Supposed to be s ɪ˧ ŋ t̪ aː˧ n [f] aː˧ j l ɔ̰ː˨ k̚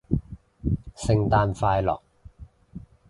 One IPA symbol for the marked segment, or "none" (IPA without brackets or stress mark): f